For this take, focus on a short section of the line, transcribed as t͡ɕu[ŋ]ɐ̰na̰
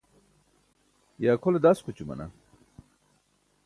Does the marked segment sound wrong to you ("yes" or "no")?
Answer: yes